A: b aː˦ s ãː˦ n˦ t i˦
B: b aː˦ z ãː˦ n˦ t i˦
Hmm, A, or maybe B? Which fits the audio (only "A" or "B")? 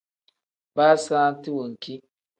A